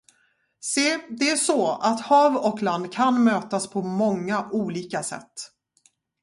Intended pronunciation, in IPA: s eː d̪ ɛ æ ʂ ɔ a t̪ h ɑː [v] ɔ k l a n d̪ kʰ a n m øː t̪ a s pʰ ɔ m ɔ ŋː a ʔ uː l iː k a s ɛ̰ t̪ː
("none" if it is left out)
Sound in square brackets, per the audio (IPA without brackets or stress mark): v